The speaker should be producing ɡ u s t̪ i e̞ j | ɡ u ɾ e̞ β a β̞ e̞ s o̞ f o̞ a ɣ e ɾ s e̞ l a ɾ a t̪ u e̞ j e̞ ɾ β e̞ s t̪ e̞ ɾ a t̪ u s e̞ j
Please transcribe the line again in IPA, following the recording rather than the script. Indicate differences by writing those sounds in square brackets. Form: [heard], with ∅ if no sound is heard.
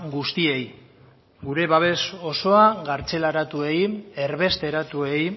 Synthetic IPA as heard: ɡ u s t̪ i e̞ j | ɡ u ɾ e̞ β a β̞ e̞ s o̞ [s] o̞ a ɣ [a] ɾ [t͡s] e̞ l a ɾ a t̪ u e̞ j e̞ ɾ β e̞ s t̪ e̞ ɾ a t̪ u [∅] e̞ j